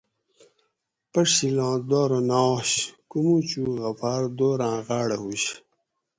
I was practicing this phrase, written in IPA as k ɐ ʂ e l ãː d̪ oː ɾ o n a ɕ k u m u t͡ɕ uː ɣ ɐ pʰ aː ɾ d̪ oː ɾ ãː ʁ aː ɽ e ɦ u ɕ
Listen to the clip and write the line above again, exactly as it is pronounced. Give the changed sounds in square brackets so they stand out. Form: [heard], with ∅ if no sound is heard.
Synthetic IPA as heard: [p] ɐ ʂ [i] l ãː d̪ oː ɾ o n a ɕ k u m u t͡ɕ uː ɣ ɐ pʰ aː ɾ d̪ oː ɾ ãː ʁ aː ɽ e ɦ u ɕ